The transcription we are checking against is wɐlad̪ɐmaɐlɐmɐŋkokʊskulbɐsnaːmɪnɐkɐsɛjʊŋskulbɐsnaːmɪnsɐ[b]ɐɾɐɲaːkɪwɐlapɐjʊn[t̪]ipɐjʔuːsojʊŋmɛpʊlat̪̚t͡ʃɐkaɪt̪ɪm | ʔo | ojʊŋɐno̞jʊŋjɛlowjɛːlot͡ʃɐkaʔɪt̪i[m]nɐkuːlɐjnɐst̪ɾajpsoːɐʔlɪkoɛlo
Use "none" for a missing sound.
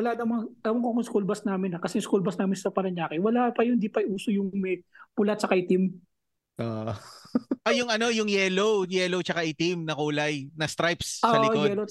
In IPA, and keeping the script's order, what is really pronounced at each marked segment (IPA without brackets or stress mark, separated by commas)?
p, d̪, m